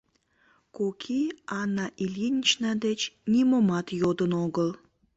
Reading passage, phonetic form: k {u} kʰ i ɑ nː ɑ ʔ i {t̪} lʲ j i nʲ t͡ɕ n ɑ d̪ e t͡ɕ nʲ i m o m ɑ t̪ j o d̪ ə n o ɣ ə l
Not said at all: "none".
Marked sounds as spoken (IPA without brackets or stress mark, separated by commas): o, none